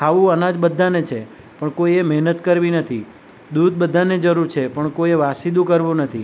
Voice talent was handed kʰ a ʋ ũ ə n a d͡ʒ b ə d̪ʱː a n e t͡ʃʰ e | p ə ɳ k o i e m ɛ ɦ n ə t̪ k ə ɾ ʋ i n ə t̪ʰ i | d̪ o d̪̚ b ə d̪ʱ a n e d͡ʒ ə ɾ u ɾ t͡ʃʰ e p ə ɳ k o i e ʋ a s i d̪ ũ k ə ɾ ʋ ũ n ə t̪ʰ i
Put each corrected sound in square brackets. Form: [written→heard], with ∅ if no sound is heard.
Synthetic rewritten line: kʰ a ʋ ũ ə n a d͡ʒ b ə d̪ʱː a n e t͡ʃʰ e | p ə ɳ k o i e m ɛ ɦ n ə t̪ k ə ɾ ʋ i n ə t̪ʰ i | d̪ [o→u] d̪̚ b ə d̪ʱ a n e d͡ʒ ə ɾ u ɾ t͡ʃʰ e p ə ɳ k o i e ʋ a s i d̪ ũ k ə ɾ ʋ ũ n ə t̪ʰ i

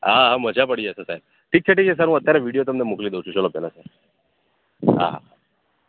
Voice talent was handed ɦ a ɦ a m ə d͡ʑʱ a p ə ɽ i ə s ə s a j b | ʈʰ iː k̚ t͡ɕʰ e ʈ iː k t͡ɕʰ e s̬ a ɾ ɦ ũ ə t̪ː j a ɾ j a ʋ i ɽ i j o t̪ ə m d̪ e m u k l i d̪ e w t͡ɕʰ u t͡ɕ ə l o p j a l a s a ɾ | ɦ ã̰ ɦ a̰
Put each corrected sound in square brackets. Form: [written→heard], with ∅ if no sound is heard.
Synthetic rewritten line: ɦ a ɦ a m ə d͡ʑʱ a p ə ɽ i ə s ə s a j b | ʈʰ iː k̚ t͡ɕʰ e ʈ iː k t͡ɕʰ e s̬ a ɾ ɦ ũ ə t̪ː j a ɾ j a ʋ i ɽ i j o t̪ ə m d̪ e m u k l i d̪ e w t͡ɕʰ u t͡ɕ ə l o p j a l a s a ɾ | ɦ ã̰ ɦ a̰

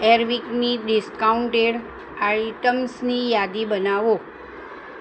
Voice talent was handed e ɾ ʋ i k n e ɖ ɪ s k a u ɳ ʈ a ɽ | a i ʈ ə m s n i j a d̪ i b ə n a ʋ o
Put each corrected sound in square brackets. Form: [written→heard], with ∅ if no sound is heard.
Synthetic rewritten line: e ɾ ʋ i k n [e→i] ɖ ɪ s k a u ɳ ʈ [a→e] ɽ | a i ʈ ə m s n i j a d̪ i b ə n a ʋ o

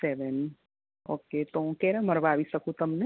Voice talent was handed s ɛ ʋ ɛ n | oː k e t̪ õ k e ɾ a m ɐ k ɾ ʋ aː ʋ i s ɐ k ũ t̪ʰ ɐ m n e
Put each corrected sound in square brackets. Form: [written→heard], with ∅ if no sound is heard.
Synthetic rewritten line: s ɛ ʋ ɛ n | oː k e t̪ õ k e ɾ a m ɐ [k→∅] ɾ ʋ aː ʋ i s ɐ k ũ [t̪ʰ→t̪] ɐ m n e

